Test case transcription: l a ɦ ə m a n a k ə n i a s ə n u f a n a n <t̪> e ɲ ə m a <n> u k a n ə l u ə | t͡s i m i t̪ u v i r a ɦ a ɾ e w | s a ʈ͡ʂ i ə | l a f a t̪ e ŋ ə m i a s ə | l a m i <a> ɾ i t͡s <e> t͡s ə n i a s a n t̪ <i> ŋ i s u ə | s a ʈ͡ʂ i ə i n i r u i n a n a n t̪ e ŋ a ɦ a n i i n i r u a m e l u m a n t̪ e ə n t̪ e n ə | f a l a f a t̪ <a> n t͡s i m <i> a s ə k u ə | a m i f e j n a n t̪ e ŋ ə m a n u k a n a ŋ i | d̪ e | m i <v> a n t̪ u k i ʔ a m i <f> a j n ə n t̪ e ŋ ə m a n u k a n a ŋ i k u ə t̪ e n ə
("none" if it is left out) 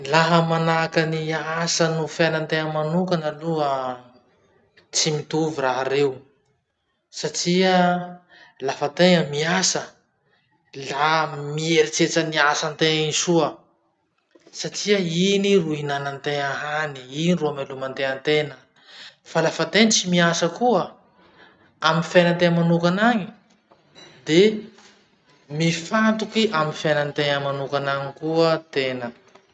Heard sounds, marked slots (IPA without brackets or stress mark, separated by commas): t̪, n, e, e, e, e, i, f, f